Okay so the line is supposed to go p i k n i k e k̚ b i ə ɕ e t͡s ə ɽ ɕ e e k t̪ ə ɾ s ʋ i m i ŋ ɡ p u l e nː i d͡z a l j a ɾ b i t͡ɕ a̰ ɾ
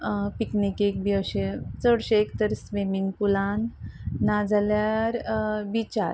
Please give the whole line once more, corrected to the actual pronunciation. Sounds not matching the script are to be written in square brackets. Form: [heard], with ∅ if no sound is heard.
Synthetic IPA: p i k n i k e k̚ b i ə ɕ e t͡s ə ɽ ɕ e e k t̪ ə ɾ s ʋ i m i ŋ ɡ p u l [a] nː [a] d͡z a l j a ɾ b i t͡ɕ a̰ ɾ

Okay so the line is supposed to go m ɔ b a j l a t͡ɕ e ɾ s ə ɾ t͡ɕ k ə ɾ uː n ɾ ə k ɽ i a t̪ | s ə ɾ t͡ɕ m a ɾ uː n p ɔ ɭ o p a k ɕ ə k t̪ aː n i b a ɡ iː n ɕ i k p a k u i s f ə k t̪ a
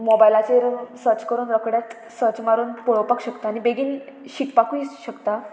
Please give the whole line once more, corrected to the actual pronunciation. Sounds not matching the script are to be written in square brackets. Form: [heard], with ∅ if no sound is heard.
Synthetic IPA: m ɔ b a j l a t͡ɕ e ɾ s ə ɾ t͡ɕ k ə ɾ uː n ɾ ə k ɽ [j] a t̪ | s ə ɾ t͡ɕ m a ɾ uː n p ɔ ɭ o p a k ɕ ə k t̪ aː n i b [e] ɡ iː n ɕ i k p a k u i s [ɕ] ə k t̪ a

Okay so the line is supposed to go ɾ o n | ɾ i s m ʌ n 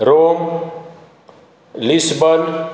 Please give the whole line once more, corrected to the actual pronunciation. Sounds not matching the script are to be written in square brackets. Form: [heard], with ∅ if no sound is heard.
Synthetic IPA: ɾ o [m] | [l] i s [b] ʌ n

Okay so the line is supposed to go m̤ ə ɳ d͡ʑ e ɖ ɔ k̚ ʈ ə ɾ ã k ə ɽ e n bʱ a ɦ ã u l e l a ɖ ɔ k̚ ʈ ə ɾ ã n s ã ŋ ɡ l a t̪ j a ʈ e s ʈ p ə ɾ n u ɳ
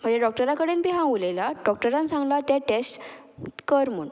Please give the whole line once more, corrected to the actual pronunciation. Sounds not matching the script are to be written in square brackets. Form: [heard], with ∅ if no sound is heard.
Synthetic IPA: m̤ ə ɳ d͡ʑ e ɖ ɔ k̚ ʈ ə ɾ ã k ə ɽ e n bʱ [i] ɦ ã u l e l a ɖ ɔ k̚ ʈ ə ɾ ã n s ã ŋ ɡ l a t̪ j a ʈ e s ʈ [k] ə ɾ [m] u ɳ

